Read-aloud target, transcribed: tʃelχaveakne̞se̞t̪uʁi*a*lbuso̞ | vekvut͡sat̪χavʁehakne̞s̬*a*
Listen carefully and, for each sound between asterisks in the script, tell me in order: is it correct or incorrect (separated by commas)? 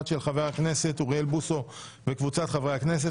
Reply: incorrect, incorrect